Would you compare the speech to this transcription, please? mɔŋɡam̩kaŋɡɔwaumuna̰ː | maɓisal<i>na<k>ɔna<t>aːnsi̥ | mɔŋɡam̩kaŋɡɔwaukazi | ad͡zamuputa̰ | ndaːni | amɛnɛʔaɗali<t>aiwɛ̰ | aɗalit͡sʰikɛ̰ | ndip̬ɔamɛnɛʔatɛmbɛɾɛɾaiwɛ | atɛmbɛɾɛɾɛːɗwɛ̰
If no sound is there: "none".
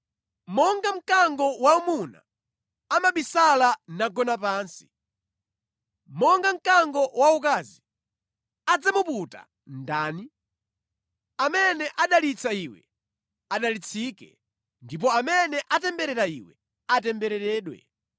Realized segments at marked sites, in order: a, ɡ, p, t͡s

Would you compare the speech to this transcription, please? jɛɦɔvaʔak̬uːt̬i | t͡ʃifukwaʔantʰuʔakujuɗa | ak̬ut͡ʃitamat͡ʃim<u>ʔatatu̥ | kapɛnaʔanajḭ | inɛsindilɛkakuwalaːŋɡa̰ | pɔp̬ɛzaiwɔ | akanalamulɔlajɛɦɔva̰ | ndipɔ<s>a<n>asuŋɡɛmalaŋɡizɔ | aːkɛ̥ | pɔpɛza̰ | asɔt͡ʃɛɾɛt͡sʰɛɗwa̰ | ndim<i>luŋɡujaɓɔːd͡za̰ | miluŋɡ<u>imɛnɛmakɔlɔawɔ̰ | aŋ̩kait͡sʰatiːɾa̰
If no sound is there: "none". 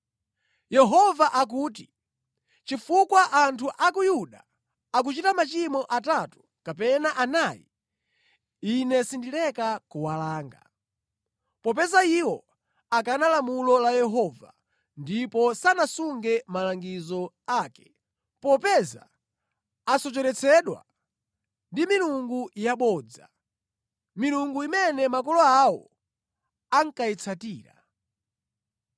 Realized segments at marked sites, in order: ɔ, s, n, i, u

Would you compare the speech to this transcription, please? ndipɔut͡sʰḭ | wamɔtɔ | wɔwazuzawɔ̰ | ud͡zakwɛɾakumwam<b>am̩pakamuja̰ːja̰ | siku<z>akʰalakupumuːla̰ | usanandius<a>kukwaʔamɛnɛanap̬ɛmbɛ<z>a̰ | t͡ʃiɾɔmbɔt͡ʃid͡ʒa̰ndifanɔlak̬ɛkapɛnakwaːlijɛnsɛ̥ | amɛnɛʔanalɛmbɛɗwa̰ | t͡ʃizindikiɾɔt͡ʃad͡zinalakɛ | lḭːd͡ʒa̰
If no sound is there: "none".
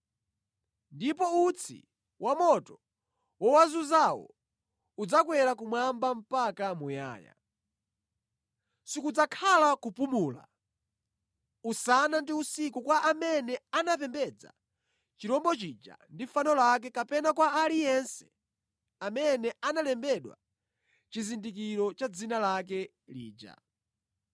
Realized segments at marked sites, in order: b, d͡z, i, d͡z

